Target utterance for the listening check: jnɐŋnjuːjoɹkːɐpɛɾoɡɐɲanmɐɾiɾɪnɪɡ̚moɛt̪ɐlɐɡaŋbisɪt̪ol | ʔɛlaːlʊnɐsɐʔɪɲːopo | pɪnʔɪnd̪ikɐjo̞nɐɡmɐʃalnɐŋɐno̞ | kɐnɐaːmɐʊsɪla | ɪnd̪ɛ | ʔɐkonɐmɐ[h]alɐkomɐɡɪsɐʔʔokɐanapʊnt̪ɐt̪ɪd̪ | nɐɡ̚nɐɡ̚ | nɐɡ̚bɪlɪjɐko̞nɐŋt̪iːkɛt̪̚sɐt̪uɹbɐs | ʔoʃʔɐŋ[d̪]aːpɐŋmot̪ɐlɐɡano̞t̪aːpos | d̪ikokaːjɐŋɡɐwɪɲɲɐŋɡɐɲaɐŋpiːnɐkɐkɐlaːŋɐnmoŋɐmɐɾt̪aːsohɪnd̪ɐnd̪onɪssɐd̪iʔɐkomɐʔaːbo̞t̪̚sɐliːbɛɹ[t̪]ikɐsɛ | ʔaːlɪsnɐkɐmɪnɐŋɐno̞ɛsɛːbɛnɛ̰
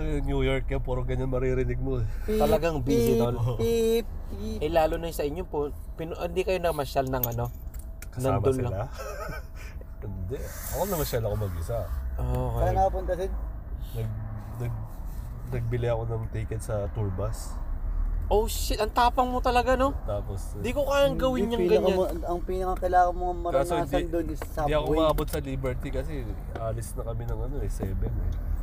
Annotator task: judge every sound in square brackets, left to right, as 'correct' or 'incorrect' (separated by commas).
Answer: incorrect, incorrect, correct